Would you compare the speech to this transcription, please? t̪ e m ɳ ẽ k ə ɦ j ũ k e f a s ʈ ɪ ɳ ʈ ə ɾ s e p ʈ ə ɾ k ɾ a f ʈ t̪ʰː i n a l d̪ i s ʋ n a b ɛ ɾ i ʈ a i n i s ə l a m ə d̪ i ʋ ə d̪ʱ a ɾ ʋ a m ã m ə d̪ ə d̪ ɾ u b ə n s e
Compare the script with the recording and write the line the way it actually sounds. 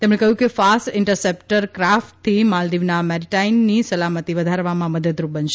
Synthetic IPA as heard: t̪ e m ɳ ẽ k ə ɦ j ũ k e f a s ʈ ɪ ɳ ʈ ə ɾ s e p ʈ ə ɾ k ɾ a f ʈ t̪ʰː i m a l d̪ i ʋ n a m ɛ ɾ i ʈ a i nː i s ə l a m ə t̪ i ʋ ə d̪ʱ a ɾ ʋ a m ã m ə d̪ ə d̪ ɾ u b ə n ʃ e